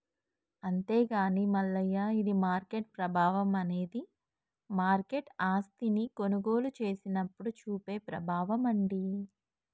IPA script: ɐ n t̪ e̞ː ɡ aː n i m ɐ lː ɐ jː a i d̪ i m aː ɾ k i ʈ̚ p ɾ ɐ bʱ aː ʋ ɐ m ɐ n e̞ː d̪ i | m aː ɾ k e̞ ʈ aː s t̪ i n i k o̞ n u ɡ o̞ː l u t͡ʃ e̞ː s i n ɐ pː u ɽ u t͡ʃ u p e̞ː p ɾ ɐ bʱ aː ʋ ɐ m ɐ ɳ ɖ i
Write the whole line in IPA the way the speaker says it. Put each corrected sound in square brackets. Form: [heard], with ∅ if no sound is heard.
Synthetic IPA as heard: ɐ n t̪ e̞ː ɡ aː n i m ɐ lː ɐ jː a i d̪ i m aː ɾ k [e] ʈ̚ p ɾ ɐ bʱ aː ʋ ɐ m ɐ n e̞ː d̪ i | m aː ɾ k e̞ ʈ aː s t̪ i n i k o̞ n u ɡ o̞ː l u t͡ʃ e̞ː s i n ɐ pː u ɽ u t͡ʃ [uː] p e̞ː p ɾ ɐ bʱ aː ʋ ɐ m ɐ ɳ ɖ i